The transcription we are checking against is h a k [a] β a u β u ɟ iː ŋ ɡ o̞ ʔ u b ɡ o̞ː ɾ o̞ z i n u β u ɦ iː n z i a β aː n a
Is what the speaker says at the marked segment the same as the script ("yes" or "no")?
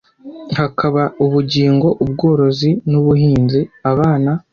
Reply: yes